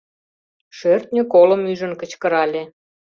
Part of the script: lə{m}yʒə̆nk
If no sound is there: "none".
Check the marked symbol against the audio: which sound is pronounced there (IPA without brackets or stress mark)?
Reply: m